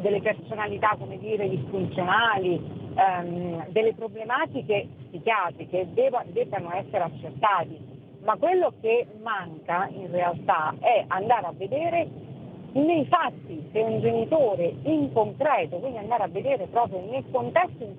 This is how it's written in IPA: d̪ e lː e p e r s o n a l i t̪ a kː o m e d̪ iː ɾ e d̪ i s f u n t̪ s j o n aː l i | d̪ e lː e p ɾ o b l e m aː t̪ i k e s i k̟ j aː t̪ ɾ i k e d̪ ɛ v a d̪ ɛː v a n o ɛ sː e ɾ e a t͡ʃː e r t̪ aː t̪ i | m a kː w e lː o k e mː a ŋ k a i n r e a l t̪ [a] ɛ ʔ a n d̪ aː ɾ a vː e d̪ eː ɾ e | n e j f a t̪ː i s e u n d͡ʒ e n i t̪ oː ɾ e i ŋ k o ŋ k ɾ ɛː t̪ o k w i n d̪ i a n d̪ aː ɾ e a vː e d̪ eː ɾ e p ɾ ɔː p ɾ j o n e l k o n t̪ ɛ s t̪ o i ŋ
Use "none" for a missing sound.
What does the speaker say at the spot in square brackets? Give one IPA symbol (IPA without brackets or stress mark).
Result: a